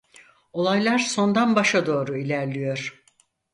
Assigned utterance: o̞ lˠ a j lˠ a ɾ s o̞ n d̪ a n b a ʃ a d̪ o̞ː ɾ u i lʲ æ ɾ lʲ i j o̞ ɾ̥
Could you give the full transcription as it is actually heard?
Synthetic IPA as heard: o̞ lˠ a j lˠ a ɾ s o̞ n d̪ a n b a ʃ a d̪ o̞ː ɾ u i lʲ æ ɾ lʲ i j o̞ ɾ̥